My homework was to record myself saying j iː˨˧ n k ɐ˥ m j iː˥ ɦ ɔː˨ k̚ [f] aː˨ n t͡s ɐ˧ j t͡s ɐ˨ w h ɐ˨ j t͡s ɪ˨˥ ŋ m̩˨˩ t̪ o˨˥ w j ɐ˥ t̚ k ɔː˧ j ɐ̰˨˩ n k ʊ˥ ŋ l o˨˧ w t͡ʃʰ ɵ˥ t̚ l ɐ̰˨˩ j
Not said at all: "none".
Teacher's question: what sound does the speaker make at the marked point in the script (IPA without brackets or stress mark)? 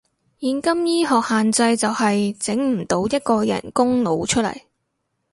h